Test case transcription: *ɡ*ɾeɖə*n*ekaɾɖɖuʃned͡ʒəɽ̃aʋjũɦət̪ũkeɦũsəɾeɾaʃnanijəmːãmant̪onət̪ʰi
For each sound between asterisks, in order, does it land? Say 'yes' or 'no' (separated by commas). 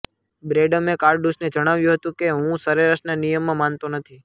no, no